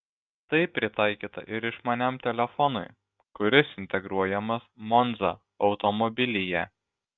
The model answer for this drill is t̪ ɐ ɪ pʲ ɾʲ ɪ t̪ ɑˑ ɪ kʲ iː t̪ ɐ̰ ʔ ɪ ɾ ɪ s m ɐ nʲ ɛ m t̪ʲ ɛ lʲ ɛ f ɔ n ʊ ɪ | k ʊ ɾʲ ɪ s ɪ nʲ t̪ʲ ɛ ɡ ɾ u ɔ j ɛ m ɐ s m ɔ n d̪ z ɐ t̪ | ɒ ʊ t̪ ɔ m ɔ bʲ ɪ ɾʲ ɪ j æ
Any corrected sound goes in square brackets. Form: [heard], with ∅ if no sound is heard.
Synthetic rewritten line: t̪ ɐ ɪ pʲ ɾʲ ɪ t̪ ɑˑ ɪ kʲ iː t̪ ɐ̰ ʔ ɪ ɾ ɪ [ʃ] m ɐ nʲ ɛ m t̪ʲ ɛ lʲ ɛ f ɔ n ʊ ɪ | k ʊ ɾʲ ɪ s ɪ nʲ t̪ʲ ɛ ɡ ɾ u ɔ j ɛ m ɐ s m ɔ n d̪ z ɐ [∅] | ɒ ʊ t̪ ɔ m ɔ bʲ ɪ [lʲ] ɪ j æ